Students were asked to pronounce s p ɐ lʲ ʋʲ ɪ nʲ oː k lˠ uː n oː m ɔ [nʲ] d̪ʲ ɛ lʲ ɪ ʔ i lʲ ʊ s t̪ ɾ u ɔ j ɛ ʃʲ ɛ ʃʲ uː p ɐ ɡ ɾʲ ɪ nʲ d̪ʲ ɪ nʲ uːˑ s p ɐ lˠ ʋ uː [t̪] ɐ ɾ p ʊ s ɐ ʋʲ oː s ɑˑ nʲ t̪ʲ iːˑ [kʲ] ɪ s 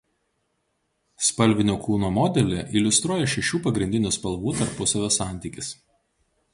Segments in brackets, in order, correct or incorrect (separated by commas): incorrect, correct, correct